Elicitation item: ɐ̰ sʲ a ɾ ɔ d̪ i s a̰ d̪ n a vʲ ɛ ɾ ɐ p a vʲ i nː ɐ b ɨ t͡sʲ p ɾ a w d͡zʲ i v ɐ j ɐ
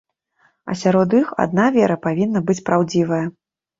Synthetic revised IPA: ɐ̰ sʲ a ɾ ɔ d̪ i x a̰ d̪ n a vʲ ɛ ɾ ɐ p a vʲ i nː ɐ b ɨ t͡sʲ p ɾ a w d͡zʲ i v ɐ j ɐ